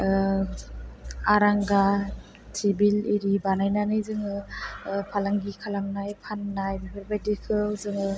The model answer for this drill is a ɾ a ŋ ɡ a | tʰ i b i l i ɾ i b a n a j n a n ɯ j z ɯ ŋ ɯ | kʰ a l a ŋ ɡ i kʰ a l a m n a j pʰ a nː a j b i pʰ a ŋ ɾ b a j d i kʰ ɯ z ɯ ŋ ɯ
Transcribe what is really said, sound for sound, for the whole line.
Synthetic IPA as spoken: a ɾ a ŋ ɡ a | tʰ i b i l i ɾ i b a n a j n a n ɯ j z ɯ ŋ ɯ | pʰ a l a ŋ ɡ i kʰ a l a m n a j pʰ a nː a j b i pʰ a ɾ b a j d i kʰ ɯ z ɯ ŋ ɯ